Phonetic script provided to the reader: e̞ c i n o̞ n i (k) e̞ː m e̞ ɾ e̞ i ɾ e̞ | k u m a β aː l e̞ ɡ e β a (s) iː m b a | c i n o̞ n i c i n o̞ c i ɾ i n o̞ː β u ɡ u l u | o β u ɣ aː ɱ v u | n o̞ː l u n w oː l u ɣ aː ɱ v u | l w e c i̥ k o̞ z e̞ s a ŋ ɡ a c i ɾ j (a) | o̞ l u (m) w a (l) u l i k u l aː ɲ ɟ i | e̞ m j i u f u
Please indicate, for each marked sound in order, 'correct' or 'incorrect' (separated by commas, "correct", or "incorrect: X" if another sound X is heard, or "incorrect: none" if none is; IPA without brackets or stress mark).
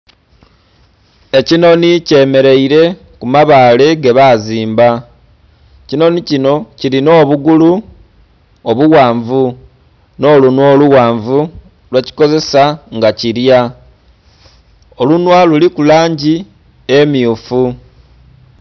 incorrect: c, incorrect: z, correct, incorrect: n, correct